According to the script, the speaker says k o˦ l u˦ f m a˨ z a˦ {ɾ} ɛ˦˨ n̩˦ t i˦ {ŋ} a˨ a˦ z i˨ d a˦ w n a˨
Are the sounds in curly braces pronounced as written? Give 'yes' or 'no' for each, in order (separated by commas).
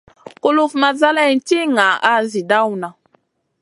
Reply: no, yes